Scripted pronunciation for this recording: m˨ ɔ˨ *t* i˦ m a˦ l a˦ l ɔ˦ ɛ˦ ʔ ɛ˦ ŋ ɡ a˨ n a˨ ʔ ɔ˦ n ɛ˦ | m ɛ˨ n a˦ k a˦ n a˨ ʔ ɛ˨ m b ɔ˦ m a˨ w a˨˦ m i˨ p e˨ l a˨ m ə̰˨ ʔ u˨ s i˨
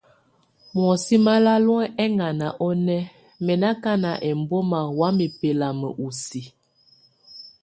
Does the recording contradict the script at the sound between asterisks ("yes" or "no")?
yes